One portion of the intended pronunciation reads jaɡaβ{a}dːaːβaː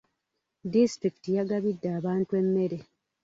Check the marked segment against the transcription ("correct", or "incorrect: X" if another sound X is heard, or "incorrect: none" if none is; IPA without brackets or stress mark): incorrect: i